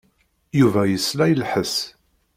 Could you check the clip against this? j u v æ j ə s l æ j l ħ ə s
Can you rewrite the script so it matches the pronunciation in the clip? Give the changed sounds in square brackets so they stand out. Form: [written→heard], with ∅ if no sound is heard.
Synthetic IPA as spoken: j u v æ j ə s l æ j l ħ ə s